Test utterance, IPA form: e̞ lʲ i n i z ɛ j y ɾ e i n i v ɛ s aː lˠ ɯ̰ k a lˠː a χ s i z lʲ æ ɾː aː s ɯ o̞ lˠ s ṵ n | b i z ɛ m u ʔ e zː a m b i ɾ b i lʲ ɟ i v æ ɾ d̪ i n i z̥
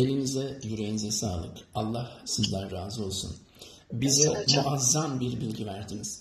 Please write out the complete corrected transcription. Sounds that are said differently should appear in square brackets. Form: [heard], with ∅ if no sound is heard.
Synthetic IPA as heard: e̞ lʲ i n i z ɛ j y ɾ e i n i [z] ɛ s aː lˠ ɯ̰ k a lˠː a [h] s i z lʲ æ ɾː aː [z] ɯ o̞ lˠ s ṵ n | b i z ɛ m u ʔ [a] zː a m b i ɾ b i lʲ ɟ i v æ ɾ d̪ i n i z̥